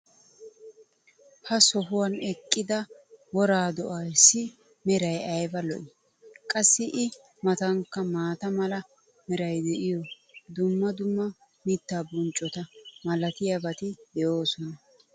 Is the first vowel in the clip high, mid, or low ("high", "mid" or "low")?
low